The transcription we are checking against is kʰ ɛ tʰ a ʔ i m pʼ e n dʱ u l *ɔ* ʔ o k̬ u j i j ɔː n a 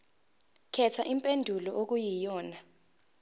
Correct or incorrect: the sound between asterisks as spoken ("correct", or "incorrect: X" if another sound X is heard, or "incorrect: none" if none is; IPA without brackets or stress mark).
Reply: correct